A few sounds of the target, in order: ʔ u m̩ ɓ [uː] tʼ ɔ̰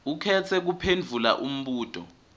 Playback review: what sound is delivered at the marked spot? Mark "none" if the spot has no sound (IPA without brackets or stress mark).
uː